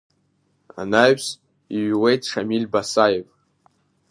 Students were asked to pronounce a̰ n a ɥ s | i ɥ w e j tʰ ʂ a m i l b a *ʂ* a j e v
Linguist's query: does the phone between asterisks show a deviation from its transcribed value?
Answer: yes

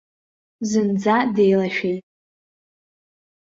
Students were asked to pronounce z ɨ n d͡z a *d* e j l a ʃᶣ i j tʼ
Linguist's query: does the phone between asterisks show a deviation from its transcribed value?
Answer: no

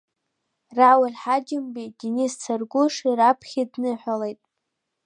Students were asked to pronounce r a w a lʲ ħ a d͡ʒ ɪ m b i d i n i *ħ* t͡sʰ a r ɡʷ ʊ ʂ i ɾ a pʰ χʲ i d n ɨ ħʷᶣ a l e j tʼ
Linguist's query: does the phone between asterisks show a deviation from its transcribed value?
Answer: yes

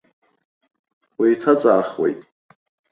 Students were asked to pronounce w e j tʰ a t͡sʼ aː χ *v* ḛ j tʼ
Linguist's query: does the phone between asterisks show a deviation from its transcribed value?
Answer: yes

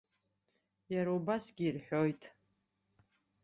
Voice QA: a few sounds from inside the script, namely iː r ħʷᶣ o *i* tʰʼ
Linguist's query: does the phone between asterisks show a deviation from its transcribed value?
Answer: yes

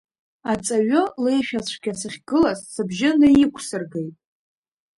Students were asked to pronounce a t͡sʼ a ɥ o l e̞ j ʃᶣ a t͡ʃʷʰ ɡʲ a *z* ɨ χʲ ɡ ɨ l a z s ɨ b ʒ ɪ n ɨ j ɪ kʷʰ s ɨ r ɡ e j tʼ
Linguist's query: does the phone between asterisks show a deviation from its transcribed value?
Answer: yes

